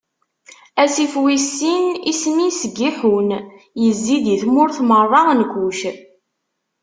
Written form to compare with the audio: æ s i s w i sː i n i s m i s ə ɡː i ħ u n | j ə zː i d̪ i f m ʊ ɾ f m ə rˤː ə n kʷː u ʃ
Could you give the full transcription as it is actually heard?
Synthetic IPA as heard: æ s i f w i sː i n i s m i s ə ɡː i ħ u n | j ə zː i d̪ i θ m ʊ ɾ θ m ə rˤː ɑ n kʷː u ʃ